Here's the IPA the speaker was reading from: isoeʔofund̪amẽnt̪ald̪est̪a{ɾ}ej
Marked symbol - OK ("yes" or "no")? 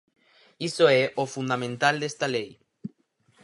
no